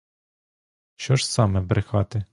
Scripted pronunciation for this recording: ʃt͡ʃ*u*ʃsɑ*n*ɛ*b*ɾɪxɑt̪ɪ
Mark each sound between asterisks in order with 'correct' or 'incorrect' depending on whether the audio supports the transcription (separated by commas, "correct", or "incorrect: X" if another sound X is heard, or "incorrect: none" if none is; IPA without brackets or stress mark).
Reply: incorrect: ɔ, incorrect: m, correct